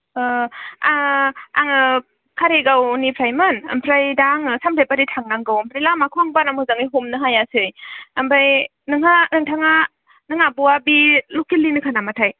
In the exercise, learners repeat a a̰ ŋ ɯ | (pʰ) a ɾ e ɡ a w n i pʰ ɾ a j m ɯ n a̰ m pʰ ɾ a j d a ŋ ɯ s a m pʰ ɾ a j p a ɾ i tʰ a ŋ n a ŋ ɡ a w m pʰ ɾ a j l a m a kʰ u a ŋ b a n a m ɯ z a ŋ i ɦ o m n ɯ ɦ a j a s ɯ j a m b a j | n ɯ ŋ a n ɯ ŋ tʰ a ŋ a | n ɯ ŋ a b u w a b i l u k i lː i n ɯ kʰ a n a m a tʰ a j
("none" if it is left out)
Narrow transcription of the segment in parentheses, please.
kʰ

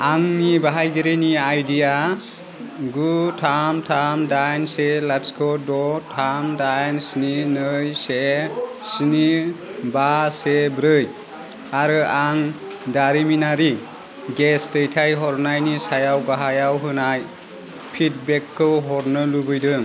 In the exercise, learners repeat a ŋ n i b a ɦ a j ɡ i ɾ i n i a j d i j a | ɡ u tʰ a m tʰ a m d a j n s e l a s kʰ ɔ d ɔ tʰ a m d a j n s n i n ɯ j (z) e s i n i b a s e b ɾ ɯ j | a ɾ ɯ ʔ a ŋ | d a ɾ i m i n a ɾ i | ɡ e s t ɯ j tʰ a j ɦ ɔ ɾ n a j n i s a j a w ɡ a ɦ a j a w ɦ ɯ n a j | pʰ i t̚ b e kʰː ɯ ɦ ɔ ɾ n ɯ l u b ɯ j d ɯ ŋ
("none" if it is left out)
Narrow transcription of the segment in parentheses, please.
s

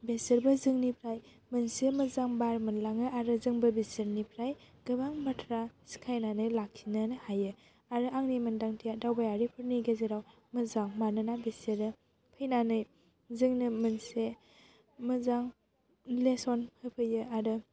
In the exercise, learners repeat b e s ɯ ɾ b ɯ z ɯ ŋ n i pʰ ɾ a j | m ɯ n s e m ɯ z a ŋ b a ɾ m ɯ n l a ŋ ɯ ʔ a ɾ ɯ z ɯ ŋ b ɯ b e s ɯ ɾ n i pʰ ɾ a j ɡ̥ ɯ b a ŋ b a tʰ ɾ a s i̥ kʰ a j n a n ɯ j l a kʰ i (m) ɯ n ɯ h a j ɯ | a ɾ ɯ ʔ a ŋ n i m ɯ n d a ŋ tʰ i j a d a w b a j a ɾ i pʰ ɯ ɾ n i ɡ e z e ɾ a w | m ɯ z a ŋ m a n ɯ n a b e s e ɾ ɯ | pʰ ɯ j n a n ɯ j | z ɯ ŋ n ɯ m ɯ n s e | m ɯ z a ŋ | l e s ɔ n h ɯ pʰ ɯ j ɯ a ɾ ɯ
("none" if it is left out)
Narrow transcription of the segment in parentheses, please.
n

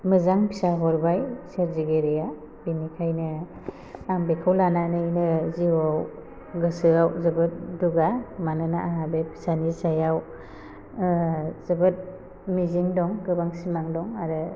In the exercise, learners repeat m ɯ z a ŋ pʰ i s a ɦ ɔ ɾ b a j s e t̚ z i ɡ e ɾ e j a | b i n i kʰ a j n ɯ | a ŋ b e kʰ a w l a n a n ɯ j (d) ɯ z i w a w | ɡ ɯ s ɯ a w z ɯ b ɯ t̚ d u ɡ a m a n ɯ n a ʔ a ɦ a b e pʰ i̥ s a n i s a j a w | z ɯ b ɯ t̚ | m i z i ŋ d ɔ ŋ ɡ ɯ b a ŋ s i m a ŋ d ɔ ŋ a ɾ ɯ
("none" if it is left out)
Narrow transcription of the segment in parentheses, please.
n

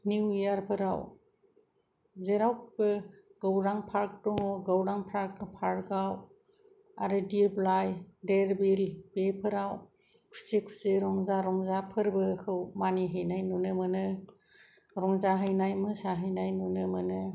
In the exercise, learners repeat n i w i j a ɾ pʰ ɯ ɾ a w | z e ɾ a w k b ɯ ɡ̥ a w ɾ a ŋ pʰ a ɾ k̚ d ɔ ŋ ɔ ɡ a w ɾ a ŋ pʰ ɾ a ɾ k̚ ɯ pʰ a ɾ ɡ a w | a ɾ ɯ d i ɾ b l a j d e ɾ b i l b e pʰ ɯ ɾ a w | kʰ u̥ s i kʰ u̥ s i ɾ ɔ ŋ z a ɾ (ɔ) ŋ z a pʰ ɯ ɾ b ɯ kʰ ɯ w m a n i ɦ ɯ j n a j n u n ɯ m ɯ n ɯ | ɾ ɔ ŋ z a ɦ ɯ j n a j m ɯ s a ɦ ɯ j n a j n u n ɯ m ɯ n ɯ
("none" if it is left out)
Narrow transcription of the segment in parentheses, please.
ɔ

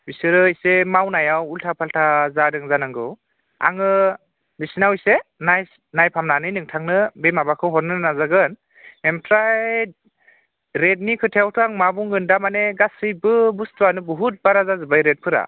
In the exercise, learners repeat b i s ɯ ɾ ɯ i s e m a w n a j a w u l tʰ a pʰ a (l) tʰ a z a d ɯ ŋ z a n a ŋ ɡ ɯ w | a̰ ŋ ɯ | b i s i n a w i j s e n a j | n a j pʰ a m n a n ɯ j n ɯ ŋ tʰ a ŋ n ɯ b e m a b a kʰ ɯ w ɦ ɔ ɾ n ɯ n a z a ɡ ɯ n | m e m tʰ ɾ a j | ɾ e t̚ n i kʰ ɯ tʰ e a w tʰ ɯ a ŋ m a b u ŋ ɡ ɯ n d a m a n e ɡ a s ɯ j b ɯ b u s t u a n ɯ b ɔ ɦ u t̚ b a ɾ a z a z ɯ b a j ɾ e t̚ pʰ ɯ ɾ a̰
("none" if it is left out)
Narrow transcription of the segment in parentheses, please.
l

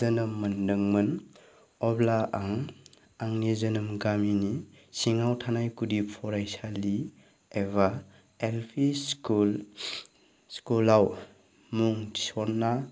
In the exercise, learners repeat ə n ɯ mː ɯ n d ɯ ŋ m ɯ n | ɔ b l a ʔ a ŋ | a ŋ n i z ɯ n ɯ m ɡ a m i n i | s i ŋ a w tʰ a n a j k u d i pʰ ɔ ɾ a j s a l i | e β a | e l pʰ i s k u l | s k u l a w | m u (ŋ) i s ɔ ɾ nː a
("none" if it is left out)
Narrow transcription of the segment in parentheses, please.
ŋ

